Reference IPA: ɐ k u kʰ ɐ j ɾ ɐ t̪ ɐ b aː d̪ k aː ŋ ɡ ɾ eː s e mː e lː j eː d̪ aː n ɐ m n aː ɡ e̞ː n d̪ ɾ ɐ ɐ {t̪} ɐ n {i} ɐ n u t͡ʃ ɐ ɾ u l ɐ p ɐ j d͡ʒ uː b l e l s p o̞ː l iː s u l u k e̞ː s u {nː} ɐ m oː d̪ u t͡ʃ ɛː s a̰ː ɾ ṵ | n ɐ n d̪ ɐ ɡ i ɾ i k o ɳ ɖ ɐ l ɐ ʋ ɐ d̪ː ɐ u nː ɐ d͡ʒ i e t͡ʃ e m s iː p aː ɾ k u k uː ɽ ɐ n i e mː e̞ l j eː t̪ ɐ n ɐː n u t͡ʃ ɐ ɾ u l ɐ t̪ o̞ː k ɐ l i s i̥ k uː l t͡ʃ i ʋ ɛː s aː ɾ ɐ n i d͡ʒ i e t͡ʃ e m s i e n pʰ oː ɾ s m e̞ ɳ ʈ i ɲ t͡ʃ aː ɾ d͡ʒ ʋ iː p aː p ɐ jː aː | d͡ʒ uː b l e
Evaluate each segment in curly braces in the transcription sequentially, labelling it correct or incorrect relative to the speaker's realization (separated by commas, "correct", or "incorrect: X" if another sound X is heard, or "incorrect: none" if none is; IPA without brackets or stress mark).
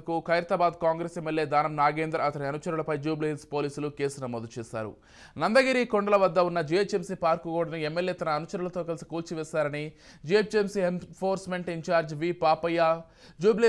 correct, correct, incorrect: n